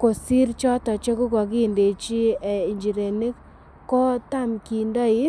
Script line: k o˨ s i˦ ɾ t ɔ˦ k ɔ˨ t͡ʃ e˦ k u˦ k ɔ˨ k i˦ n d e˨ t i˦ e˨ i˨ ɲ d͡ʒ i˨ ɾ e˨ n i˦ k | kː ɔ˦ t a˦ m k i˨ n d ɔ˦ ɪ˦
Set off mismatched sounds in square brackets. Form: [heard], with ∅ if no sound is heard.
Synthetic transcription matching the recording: k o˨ s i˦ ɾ [t͡ʃ] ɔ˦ [t] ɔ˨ t͡ʃ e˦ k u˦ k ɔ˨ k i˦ n d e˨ [t͡ʃ] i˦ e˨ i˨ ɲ d͡ʒ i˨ ɾ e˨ n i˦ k | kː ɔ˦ t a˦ m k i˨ n d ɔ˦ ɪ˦